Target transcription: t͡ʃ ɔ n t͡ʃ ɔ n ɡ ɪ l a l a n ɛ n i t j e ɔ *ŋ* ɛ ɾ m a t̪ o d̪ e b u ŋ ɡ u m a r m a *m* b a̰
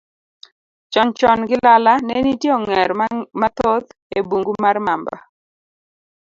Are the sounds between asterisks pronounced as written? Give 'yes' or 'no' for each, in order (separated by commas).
yes, yes